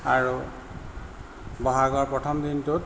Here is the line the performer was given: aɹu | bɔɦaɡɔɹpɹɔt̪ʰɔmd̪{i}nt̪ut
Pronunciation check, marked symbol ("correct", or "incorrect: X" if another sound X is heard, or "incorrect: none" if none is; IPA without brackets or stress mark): correct